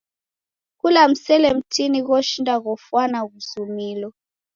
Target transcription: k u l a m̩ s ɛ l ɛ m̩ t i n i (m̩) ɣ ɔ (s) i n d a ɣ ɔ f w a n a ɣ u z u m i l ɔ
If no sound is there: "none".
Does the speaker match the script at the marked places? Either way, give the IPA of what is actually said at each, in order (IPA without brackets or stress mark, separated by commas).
none, ʃ